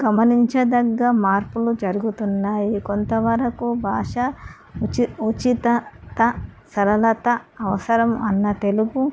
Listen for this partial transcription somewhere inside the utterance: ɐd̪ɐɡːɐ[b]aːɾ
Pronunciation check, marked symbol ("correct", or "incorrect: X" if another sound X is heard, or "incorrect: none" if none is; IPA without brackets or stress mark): incorrect: m